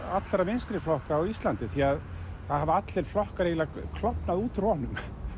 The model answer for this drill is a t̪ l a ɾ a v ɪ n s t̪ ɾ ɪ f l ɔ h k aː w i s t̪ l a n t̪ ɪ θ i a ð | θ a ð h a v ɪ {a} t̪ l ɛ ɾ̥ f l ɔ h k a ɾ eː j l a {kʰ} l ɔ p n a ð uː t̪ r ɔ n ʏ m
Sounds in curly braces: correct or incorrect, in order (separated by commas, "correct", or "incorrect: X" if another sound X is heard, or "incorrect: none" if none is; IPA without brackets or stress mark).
correct, correct